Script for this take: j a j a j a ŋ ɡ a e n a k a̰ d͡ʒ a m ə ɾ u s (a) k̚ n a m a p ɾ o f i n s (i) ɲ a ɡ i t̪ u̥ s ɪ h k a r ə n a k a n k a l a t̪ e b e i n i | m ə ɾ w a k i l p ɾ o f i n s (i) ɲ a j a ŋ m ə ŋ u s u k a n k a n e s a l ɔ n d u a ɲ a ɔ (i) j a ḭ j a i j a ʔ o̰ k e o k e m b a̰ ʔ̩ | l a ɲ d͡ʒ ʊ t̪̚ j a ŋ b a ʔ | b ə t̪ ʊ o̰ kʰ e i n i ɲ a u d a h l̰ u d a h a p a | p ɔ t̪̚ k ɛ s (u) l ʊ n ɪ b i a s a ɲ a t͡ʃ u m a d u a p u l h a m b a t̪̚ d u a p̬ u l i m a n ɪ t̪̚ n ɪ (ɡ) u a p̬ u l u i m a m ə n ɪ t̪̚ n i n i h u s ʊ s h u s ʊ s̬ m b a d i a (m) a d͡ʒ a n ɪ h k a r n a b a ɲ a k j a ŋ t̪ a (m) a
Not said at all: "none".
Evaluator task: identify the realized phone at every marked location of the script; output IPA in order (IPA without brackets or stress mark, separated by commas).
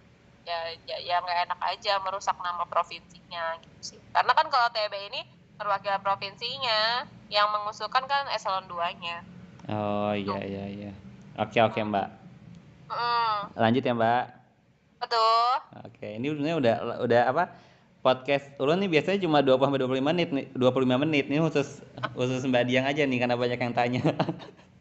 a, i, i, i, u, d, ŋ, ɲ